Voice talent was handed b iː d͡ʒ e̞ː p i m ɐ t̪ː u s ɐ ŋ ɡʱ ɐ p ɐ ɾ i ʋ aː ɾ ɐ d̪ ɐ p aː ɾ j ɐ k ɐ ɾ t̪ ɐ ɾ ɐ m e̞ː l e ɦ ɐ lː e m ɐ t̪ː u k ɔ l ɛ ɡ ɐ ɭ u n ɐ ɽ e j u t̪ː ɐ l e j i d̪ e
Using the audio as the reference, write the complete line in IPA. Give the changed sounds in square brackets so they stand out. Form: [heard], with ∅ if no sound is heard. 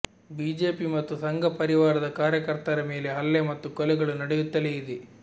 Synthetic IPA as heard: b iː d͡ʒ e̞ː p i m ɐ t̪ː u s ɐ ŋ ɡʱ ɐ p ɐ ɾ i ʋ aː ɾ ɐ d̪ ɐ [k] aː ɾ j ɐ k ɐ ɾ t̪ ɐ ɾ ɐ m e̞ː l e ɦ ɐ lː e m ɐ t̪ː u k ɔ l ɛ ɡ ɐ ɭ u n ɐ ɽ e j u t̪ː ɐ l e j i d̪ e